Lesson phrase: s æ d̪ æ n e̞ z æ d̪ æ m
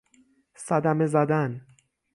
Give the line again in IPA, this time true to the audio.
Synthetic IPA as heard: s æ d̪ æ m e̞ z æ d̪ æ n

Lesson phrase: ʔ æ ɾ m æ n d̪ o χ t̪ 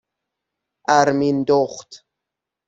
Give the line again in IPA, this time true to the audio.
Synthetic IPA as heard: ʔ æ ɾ m i n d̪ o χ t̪

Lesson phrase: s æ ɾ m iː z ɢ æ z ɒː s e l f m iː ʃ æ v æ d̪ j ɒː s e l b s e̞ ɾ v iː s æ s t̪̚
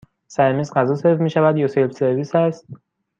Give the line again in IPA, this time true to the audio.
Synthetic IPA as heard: s æ ɾ m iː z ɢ æ z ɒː s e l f m iː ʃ æ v æ d̪ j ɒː s e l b s e̞ ɾ v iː s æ s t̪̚

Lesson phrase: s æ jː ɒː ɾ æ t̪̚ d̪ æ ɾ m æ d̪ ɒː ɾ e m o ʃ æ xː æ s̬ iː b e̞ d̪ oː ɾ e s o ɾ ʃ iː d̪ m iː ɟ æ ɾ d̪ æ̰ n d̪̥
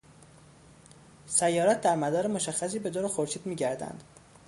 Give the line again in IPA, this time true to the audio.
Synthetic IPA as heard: s æ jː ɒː ɾ æ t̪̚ d̪ æ ɾ m æ d̪ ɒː ɾ e m o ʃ æ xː æ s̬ iː b e̞ d̪ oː ɾ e x o ɾ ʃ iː d̪ m iː ɟ æ ɾ d̪ æ̰ n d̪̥

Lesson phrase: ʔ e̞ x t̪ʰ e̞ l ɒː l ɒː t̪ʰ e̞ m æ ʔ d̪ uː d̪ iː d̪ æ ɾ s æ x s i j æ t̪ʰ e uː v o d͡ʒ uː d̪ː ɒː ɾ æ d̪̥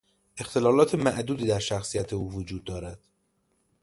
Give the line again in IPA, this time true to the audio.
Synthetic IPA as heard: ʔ e̞ x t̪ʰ e̞ l ɒː l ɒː t̪ʰ e̞ m æ ʔ d̪ uː d̪ iː d̪ æ ɾ ʃ æ x s i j æ t̪ʰ e uː v o d͡ʒ uː d̪ː ɒː ɾ æ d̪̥

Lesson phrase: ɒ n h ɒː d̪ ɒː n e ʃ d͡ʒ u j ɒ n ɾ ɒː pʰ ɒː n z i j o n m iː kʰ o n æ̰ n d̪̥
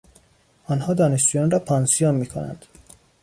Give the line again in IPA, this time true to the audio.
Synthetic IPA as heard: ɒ n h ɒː d̪ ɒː n e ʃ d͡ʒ u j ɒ n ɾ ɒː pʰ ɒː n s i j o n m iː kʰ o n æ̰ n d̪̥

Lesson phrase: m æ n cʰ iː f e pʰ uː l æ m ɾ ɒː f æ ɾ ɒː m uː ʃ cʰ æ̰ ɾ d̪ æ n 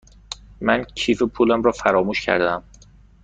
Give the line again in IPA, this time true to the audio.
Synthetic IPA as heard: m æ n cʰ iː f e pʰ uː l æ m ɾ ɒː f æ ɾ ɒː m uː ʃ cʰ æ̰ ɾ d̪ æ m

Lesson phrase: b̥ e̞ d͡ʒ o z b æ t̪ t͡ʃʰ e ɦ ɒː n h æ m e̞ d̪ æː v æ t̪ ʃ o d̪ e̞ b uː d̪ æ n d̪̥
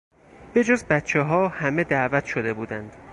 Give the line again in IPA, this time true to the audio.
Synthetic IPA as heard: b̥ e̞ d͡ʒ o z b æ t̪ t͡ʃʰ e ɦ ɒː h æ m e̞ d̪ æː v æ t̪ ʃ o d̪ e̞ b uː d̪ æ n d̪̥

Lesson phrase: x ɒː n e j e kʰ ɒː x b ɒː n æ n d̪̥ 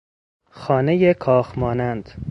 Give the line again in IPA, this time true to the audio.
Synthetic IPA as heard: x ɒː n e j e kʰ ɒː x m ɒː n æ n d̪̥

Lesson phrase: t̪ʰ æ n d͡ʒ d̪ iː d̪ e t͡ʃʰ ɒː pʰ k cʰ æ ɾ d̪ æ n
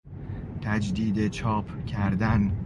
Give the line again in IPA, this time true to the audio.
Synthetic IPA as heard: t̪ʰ æ d͡ʒ d̪ iː d̪ e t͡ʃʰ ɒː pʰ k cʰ æ ɾ d̪ æ n

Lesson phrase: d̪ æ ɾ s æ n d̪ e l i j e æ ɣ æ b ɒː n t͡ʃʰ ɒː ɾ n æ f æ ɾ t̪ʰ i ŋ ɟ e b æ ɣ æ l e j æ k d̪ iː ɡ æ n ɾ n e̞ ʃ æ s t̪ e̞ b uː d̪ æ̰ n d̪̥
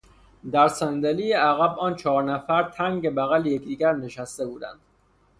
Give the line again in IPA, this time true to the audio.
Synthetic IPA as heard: d̪ æ ɾ s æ n d̪ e l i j e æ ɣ æ b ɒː n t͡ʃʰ ɒː ɾ n æ f æ ɾ t̪ʰ æ ŋ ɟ e b æ ɣ æ l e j e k d̪ iː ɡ æ ɾ n e̞ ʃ æ s t̪ e̞ b uː d̪ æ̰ n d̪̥

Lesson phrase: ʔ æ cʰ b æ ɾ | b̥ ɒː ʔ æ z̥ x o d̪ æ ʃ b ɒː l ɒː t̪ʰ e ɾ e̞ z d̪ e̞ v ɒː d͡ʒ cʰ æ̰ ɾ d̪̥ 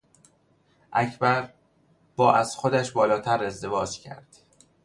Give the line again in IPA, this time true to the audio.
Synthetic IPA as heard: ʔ æ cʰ b æ ɾ | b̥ ɒː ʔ æ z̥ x o d̪ æ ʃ b ɒː l ɒː t̪ʰ æ ɾ e̞ z d̪ e̞ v ɒː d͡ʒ cʰ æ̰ ɾ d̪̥

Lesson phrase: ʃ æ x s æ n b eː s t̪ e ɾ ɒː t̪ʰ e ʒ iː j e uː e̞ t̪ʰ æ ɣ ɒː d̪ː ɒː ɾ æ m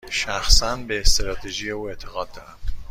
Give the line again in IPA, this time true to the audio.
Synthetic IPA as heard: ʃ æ x s æ n b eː s t̪ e ɾ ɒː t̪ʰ e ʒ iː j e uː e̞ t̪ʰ e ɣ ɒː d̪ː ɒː ɾ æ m

